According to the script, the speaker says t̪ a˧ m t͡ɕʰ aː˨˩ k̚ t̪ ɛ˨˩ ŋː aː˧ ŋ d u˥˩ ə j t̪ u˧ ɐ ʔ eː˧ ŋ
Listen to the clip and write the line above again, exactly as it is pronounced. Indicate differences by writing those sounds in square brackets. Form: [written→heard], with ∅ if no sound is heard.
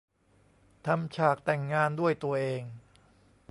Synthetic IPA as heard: [t̪→t̪ʰ] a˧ m t͡ɕʰ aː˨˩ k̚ t̪ ɛ˨˩ ŋː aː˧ [ŋ→n] d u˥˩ ə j t̪ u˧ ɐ ʔ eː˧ ŋ

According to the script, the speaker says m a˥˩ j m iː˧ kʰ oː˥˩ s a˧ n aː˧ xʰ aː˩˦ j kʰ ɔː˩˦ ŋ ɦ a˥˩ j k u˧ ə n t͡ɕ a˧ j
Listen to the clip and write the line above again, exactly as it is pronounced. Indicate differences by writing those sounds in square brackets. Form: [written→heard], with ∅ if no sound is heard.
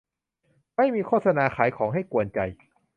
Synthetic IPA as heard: m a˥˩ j m iː˧ kʰ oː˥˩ s a˧ n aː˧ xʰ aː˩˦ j kʰ ɔː˩˦ ŋ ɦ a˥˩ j k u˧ ə n t͡ɕ a˧ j

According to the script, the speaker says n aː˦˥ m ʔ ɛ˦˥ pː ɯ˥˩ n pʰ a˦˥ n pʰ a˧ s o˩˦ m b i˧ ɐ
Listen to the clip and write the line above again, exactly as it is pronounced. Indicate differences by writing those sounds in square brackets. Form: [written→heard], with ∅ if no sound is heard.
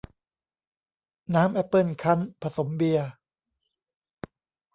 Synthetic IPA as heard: n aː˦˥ m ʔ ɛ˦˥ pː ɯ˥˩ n [pʰ→kʰ] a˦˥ n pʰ a˧ s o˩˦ m b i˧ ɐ

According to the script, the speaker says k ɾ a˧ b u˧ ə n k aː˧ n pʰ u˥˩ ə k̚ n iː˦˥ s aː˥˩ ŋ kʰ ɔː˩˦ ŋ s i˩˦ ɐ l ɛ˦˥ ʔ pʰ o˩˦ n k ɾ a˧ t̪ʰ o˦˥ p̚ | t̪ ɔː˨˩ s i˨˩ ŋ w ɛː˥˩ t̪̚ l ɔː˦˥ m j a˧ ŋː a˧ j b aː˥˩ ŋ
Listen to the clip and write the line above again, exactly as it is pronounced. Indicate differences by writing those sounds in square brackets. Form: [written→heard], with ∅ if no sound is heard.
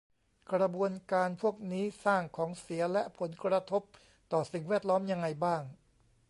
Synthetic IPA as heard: k ɾ a˧ b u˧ ə n k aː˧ n pʰ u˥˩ ə k̚ n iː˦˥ s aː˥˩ ŋ kʰ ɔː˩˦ ŋ s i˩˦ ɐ l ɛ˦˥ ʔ pʰ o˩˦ n k ɾ a˧ t̪ʰ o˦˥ p̚ | t̪ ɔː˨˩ s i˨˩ ŋ w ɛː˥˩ t̪̚ l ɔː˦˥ m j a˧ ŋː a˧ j b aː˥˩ ŋ

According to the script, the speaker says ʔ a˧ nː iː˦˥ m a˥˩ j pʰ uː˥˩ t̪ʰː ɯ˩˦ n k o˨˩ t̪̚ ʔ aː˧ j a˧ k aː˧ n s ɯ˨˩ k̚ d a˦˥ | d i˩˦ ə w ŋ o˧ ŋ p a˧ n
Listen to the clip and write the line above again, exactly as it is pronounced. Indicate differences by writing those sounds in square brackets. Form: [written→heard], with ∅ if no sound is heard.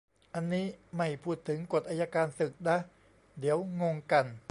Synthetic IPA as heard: ʔ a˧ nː iː˦˥ m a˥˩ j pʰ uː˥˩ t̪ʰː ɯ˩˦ [n→ŋ] k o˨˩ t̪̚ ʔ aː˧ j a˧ k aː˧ n s ɯ˨˩ k̚ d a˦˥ | d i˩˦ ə w ŋ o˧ ŋ [p→k] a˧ n

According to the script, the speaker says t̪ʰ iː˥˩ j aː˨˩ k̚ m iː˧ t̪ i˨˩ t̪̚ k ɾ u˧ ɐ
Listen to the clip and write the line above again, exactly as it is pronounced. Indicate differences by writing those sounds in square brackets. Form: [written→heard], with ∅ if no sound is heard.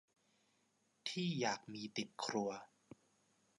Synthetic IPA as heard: t̪ʰ iː˥˩ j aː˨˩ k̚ m iː˧ t̪ i˨˩ t̪̚ [k→kʰ] ɾ u˧ ɐ

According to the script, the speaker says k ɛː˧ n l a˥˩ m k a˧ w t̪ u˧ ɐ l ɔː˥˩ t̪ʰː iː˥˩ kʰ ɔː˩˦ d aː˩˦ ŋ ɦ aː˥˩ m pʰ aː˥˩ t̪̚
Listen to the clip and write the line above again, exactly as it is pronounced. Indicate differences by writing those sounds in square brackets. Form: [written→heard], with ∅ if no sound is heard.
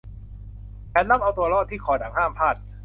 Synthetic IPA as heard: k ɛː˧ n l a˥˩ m [k→ʔ] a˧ w t̪ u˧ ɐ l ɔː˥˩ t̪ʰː iː˥˩ kʰ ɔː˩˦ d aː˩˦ ŋ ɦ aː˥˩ m pʰ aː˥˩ t̪̚

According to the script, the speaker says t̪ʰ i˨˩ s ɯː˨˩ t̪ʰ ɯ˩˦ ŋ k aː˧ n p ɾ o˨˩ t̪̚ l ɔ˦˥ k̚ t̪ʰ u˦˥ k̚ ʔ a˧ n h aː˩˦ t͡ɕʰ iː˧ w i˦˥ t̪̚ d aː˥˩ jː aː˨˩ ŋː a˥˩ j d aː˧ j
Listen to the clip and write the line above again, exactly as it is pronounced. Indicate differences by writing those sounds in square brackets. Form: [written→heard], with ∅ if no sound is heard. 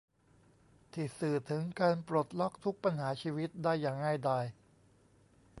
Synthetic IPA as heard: t̪ʰ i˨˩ s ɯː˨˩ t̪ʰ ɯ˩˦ ŋ k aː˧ n p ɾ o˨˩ t̪̚ l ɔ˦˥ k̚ t̪ʰ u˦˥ k̚ [ʔ→p] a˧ n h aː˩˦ t͡ɕʰ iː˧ w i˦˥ t̪̚ d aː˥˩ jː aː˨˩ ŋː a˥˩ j d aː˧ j

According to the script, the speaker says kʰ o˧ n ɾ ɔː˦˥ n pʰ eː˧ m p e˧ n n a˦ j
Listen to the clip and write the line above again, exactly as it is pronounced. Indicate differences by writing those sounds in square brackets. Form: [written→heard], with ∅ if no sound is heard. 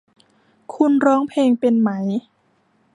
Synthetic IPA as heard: kʰ [o˧→u˧] n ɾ ɔː˦˥ [n→ŋ] pʰ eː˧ [m→ŋ] p e˧ n [n→m] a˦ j

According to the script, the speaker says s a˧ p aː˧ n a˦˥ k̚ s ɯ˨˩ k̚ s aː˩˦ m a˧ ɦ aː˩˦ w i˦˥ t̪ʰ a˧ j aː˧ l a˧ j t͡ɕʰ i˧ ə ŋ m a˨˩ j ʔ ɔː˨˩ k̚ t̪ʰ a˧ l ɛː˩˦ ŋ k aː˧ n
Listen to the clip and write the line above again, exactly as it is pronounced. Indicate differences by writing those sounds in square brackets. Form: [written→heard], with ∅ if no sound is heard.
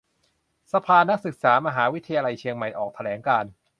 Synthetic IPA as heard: s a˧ [p→pʰ] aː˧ n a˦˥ k̚ s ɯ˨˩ k̚ s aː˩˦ m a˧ ɦ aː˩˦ w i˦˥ t̪ʰ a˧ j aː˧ l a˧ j t͡ɕʰ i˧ ə ŋ m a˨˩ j ʔ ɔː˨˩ k̚ t̪ʰ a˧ l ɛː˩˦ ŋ k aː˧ n

